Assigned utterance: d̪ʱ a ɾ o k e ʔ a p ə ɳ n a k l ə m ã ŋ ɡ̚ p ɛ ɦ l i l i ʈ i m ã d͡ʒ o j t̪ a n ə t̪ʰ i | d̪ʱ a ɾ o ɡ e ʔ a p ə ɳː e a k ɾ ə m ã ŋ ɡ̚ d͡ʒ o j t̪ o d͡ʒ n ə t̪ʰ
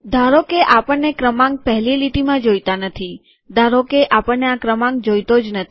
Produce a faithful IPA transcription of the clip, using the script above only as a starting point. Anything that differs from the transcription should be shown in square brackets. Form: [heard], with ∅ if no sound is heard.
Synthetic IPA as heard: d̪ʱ a ɾ o k e ʔ a p ə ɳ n [e] k [ɾ] ə m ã ŋ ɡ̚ p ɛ ɦ l i l i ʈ i m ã d͡ʒ o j t̪ a n ə t̪ʰ i | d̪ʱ a ɾ o [k] e ʔ a p ə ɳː e a k ɾ ə m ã ŋ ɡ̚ d͡ʒ o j t̪ o d͡ʒ n ə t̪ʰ

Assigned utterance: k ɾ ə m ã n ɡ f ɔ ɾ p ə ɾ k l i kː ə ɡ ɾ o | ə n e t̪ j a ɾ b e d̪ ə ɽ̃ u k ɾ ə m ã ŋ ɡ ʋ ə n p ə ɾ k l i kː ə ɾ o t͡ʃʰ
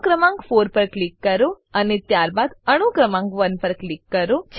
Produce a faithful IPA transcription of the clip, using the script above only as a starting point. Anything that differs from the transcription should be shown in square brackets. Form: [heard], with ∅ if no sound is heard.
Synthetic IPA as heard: k ɾ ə m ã [ŋ] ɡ f [o] ɾ p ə ɾ k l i kː ə [∅] ɾ o | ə n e t̪ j a ɾ b [a] d̪ ə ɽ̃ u k ɾ ə m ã ŋ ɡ ʋ ə n p ə ɾ k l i kː ə ɾ o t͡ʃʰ

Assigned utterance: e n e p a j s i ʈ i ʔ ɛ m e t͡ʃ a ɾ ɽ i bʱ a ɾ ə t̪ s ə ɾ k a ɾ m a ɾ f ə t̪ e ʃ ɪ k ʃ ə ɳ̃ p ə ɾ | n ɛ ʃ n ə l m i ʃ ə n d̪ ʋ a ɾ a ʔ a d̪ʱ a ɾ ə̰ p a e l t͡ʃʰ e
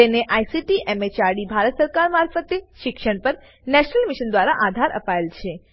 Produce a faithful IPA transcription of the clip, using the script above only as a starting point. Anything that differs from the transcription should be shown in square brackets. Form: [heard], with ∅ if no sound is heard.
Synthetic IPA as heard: e n e [ʔ] a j s i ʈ i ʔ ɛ m e t͡ʃ a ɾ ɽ i bʱ a ɾ ə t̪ s ə ɾ k a ɾ m a ɾ f ə t̪ e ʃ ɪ k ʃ ə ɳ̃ p ə ɾ | n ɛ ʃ n ə l m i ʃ ə n d̪ ʋ a ɾ a ʔ a d̪ʱ a ɾ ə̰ p a e l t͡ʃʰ e

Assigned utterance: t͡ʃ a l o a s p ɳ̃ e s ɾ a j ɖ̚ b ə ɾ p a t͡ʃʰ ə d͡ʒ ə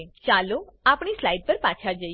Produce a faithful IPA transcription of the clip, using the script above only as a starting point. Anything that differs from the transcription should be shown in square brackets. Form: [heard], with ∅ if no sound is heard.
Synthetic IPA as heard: t͡ʃ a l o a [∅] p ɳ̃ [i] s [l] a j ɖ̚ [p] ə ɾ p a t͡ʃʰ [a] d͡ʒ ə

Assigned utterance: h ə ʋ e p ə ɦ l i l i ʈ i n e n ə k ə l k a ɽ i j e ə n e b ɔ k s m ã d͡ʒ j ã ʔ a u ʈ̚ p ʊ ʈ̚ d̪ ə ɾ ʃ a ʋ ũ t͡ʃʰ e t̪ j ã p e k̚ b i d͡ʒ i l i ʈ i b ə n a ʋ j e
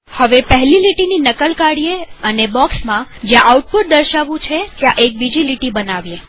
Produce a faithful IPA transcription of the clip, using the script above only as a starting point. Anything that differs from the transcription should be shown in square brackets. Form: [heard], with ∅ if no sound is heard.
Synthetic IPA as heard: h ə ʋ e p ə ɦ l i l i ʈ i n [i] n ə k ə l k a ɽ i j e ə n e b ɔ k s m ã d͡ʒ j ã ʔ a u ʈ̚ p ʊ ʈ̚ d̪ ə ɾ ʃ a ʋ ũ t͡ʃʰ e t̪ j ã [ʔ] e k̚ b i d͡ʒ i l i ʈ i b ə n a ʋ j e

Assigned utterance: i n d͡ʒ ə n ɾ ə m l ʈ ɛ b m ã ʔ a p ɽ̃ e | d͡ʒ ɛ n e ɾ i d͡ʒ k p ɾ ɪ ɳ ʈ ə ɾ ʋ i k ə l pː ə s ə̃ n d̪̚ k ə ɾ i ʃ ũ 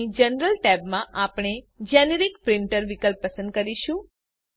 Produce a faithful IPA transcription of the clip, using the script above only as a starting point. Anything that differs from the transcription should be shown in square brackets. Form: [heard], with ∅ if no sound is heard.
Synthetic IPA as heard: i [∅] d͡ʒ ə n ɾ ə [∅] l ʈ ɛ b m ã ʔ a p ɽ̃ e | d͡ʒ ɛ n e ɾ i [∅] k p ɾ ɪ ɳ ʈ ə ɾ ʋ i k ə l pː ə s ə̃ n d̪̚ k ə ɾ i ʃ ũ

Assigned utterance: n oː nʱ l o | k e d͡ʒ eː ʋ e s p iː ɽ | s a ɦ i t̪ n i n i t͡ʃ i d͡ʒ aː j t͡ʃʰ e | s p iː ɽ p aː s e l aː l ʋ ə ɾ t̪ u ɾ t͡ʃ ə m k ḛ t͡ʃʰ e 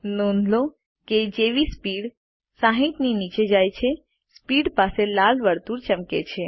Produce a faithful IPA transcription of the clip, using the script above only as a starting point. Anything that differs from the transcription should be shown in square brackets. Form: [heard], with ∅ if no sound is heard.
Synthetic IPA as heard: n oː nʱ l o | k e d͡ʒ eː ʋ [i] s p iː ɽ | s a ɦ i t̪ n i n i t͡ʃ [e] d͡ʒ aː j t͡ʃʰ e | s p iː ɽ p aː s e l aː l ʋ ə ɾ t̪ u ɾ t͡ʃ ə m k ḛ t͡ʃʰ e

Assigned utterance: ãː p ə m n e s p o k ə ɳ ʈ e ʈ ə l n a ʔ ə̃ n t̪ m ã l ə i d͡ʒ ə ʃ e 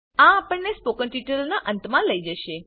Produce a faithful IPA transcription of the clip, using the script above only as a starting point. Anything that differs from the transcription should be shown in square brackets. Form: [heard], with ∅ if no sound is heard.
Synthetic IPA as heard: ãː p ə [ɳ] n e s p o k ə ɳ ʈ [i] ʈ ə l n a ʔ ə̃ n t̪ m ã l ə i d͡ʒ ə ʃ e

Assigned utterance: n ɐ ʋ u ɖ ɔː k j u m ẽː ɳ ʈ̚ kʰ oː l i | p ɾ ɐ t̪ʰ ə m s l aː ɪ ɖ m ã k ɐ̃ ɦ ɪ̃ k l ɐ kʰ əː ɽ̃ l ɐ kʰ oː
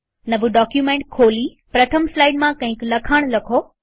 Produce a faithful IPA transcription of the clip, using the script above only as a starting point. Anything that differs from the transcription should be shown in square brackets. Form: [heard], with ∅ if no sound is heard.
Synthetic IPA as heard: n ɐ ʋ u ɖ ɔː k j u m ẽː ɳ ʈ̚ kʰ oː l i | p ɾ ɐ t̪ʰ ə m s l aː ɪ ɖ m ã k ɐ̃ ɦ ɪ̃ k l ɐ kʰ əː ɽ̃ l ɐ kʰ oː

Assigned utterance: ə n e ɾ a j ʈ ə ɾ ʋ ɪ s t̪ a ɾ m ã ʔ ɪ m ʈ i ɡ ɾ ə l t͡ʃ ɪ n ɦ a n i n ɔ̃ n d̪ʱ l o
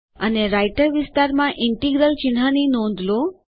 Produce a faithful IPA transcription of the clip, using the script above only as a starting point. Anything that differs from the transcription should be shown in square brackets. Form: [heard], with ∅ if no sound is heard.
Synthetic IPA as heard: ə n e ɾ a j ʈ ə ɾ ʋ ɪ s t̪ a ɾ m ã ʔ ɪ [ɳ] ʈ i ɡ ɾ ə l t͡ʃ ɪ n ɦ a n i n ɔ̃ n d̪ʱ l o

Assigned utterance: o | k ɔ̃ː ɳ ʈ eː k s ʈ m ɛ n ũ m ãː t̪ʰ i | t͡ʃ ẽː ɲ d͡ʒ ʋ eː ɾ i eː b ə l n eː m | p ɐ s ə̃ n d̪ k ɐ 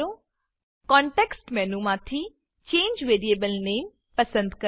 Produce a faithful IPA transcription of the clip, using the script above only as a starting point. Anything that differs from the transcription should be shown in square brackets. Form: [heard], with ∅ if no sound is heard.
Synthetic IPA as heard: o | k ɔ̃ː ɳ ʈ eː k s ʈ m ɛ n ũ m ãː t̪ʰ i | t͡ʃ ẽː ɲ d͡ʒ ʋ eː ɾ i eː b ə l n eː m | p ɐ s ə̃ n d̪ k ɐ

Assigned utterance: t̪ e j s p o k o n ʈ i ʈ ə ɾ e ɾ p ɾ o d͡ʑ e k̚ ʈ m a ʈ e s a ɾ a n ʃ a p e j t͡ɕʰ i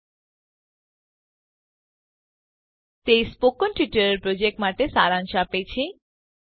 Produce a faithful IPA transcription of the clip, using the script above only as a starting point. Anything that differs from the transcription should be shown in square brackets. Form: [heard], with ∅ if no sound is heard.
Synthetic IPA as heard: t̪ e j s p o k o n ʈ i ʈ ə ɾ e ɾ p ɾ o d͡ʑ e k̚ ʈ m a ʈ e s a ɾ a n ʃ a p e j t͡ɕʰ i

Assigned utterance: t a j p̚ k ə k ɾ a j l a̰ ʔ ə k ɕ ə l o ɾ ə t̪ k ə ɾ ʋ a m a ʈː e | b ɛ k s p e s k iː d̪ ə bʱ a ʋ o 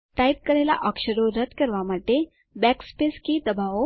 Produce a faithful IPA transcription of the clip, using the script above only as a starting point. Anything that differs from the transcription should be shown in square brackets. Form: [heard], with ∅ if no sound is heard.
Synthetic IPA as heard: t a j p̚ k ə [∅] ɾ a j l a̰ ʔ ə k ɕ ə [ɾ] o ɾ ə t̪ k ə ɾ ʋ a m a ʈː e | b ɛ k s p e s k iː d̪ ə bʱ a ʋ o

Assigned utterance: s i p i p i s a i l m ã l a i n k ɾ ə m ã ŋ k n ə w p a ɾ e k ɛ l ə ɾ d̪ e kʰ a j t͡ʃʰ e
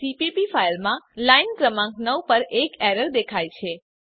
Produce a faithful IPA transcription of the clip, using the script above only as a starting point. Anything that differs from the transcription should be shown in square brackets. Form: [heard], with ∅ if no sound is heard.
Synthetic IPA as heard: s i p i p i [f] a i l m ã l a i n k ɾ ə m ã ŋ k n ə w p [ə] ɾ e k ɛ [ɾ] ə ɾ d̪ e kʰ a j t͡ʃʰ e

